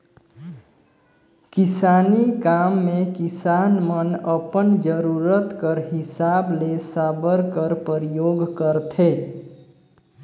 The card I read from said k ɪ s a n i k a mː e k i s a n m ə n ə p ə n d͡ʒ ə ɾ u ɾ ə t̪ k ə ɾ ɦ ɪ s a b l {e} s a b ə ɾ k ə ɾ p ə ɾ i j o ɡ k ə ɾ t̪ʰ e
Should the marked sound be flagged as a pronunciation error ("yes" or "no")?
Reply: no